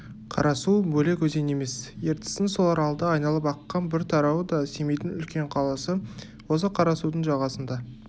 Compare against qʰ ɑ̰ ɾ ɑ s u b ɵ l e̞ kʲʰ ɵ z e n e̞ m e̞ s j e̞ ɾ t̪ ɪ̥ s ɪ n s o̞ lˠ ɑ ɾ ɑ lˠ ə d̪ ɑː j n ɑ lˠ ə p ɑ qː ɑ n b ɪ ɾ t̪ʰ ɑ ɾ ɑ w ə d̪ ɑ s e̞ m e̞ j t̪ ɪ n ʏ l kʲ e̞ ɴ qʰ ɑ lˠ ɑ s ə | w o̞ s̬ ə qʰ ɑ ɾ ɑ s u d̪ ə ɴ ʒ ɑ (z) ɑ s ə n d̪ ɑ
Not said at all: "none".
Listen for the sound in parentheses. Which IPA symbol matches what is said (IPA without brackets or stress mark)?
ʁ